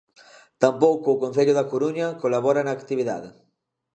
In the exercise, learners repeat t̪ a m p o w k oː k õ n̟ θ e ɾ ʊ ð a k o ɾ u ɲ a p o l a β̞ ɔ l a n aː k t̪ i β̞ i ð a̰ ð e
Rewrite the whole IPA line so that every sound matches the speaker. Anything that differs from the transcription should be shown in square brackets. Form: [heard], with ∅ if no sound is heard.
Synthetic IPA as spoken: t̪ a m p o w k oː k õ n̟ θ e [ʎ] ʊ ð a k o ɾ u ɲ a [k] o l a β̞ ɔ [ɾ] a n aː k t̪ i β̞ i ð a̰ ð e